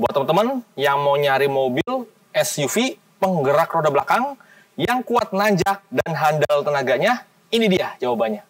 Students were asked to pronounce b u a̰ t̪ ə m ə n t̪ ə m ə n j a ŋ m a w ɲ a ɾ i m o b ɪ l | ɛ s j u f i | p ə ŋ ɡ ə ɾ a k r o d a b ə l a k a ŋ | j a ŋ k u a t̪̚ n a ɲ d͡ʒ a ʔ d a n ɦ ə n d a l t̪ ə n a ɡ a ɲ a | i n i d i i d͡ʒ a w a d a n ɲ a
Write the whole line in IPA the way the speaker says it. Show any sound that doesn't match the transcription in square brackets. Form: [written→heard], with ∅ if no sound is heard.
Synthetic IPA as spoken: b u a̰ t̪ ə m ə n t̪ ə m ə n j a ŋ m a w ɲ a ɾ i m o b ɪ l | ɛ s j u f i | p ə ŋ ɡ ə ɾ a k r o d a b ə l a k a ŋ | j a ŋ k u a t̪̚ n a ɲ d͡ʒ a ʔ d a n ɦ [ə→a] n d a l t̪ ə n a ɡ a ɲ a | i n i d i [i→a] d͡ʒ a w a [d→b] a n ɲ a

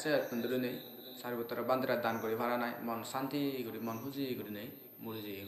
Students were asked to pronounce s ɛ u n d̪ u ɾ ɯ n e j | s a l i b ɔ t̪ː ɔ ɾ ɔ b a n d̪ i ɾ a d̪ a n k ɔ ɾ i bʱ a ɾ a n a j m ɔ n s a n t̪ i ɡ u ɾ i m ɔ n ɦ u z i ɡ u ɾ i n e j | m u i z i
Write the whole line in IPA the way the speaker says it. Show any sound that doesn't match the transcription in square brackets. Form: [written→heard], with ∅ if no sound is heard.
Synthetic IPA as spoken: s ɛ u n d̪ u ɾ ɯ n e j | s a [l→ɾ] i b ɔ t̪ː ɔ ɾ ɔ b a n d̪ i ɾ a d̪ a n k ɔ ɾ i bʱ a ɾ a n a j m ɔ n s a n t̪ i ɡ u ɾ i m ɔ n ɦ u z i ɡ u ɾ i n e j | m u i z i

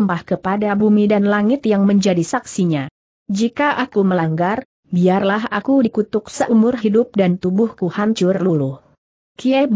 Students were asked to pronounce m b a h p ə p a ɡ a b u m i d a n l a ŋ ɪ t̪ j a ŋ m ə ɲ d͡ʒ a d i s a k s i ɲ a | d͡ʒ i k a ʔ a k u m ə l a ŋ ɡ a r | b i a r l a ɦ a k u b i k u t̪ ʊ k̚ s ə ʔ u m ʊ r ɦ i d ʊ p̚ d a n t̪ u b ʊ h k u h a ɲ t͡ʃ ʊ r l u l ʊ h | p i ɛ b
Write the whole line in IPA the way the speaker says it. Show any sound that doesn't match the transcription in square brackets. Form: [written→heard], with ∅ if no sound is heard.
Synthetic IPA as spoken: m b a h [p→k] ə p a [ɡ→d] a b u m i d a n l a ŋ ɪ t̪ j a ŋ m ə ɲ d͡ʒ a d i s a k s i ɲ a | d͡ʒ i k a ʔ a k u m ə l a ŋ ɡ a r | b i a r l a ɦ a k u [b→d] i k u t̪ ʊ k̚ s ə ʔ u m ʊ r ɦ i d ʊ p̚ d a n t̪ u b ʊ h k u h a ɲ t͡ʃ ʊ r l u l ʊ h | [p→k] i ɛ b

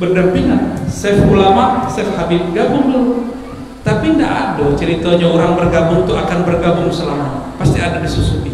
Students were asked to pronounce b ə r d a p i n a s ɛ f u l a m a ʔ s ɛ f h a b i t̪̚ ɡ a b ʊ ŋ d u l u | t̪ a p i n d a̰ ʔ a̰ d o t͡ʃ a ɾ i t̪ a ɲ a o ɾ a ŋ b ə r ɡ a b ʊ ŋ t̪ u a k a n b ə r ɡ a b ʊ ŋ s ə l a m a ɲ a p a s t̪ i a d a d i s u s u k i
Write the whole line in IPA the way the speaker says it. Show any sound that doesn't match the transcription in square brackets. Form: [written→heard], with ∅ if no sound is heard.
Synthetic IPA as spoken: b ə r d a p i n a s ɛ f u l a m a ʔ s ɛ f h a b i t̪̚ ɡ a b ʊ ŋ d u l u | t̪ a p i n d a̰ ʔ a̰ d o t͡ʃ [a→ə] ɾ i t̪ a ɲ a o ɾ a ŋ b ə r ɡ a b ʊ ŋ t̪ u a k a n b ə r ɡ a b ʊ ŋ s ə l a m a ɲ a p a s t̪ i a d a d i s u s u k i

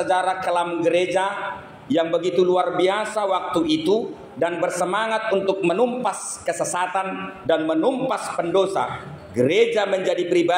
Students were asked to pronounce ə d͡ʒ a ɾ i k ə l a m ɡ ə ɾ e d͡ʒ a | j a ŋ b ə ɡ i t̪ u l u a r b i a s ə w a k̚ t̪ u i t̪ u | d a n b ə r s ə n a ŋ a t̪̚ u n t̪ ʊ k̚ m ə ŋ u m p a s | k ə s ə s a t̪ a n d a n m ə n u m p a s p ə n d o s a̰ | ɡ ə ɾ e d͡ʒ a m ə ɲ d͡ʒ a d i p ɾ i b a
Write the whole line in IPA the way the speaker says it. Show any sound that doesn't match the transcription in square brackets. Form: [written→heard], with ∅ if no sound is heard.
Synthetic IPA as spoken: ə d͡ʒ a ɾ [i→a] k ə l a m ɡ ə ɾ e d͡ʒ a | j a ŋ b ə ɡ i t̪ u l u a r b i a s [ə→a] w a k̚ t̪ u i t̪ u | d a n b ə r s ə [n→m] a ŋ a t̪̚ u n t̪ ʊ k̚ m ə [ŋ→n] u m p a s | k ə s ə s a t̪ a n d a n m ə n u m p a s p ə n d o s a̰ | ɡ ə ɾ e d͡ʒ a m ə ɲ d͡ʒ a d i p ɾ i b a

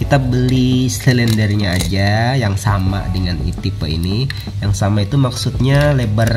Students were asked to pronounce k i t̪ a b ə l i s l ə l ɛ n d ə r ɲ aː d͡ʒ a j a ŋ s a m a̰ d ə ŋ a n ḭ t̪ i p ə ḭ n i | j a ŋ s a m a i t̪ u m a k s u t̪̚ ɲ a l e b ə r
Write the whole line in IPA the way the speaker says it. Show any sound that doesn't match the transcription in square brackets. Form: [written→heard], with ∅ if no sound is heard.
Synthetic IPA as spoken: k i t̪ a b ə l i s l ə l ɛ n d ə r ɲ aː d͡ʒ a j a ŋ s a m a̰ d ə ŋ a n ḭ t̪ i p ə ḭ n i | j a ŋ s a m a i t̪ u m a k s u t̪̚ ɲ a l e b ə r

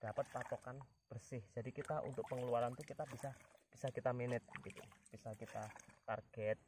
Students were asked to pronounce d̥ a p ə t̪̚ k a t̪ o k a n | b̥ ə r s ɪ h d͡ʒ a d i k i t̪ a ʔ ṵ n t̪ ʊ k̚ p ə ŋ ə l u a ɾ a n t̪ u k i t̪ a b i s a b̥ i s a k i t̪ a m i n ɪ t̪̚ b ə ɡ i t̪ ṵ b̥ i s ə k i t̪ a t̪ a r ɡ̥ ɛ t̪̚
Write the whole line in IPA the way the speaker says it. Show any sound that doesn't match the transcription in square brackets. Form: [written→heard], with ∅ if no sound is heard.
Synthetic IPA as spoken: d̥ a p ə t̪̚ [k→p] a t̪ o k a n | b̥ ə r s ɪ h d͡ʒ a d i k i t̪ a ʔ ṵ n t̪ ʊ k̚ p ə ŋ ə l u a ɾ a n t̪ u k i t̪ a b i s a b̥ i s a k i t̪ a m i n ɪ t̪̚ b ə ɡ i t̪ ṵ b̥ i s [ə→a] k i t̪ a t̪ a r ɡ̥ ɛ t̪̚

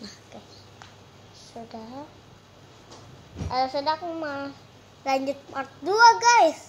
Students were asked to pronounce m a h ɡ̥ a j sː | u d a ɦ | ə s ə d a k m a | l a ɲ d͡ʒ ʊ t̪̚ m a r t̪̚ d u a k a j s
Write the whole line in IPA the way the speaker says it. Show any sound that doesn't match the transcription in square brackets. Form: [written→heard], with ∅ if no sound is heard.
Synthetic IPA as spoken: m a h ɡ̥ a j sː | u d a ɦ | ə s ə d a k m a | l a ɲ d͡ʒ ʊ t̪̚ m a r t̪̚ d u a [k→ɡ] a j s

